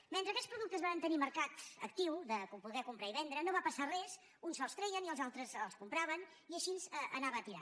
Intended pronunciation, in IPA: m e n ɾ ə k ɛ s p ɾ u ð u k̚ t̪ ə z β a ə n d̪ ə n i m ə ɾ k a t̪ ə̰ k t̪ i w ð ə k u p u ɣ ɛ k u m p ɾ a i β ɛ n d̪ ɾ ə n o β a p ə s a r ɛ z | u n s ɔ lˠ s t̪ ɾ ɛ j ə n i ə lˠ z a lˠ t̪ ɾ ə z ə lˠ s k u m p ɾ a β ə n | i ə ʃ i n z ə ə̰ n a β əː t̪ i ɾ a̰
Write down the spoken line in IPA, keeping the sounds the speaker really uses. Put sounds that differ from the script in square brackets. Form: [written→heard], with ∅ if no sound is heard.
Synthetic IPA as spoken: m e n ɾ ə k ɛ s p ɾ u ð u k̚ t̪ ə z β a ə n [d̪→t̪] ə n i m ə ɾ k a t̪ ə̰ k t̪ i w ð ə k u p u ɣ ɛ k u m p ɾ a i β ɛ n d̪ ɾ ə n o β a p ə s a r ɛ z | u n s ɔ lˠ s t̪ ɾ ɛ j ə n i ə lˠ z a lˠ t̪ ɾ ə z ə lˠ s k u m p ɾ a β ə n | i ə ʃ i n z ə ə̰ n a β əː t̪ i ɾ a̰